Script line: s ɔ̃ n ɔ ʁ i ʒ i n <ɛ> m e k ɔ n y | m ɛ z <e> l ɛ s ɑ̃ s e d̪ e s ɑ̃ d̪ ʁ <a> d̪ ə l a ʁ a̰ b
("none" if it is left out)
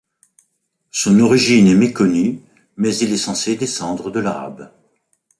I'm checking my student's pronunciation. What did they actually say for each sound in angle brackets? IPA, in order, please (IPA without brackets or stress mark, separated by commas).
ɛ, i, ə